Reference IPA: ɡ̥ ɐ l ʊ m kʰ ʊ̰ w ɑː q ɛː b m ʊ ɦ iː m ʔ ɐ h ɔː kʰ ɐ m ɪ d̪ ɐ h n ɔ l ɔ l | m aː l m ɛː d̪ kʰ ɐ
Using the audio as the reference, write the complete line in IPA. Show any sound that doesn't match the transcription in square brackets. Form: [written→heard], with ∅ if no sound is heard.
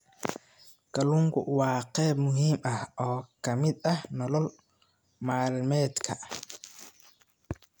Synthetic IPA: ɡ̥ ɐ l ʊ [m→ŋ] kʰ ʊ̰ w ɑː q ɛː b m ʊ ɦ iː m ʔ ɐ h ɔː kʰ ɐ m ɪ d̪ ɐ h n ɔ l ɔ l | m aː l m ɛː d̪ kʰ ɐ